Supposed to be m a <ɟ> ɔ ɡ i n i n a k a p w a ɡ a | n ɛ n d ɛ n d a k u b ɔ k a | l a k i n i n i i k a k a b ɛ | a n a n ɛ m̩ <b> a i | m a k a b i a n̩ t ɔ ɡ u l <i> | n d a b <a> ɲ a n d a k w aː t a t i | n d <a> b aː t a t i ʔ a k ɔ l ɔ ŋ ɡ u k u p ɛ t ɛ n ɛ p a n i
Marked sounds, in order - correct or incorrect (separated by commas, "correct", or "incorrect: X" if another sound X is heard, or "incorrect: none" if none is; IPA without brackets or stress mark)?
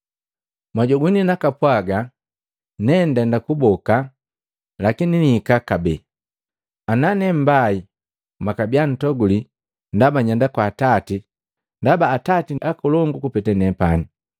correct, correct, correct, correct, correct